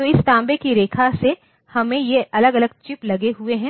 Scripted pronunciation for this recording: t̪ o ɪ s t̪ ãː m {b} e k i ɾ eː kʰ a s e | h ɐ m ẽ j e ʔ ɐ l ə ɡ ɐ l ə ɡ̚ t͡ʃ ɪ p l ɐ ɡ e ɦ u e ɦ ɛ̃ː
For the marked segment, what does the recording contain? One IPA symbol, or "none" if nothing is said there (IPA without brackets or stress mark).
b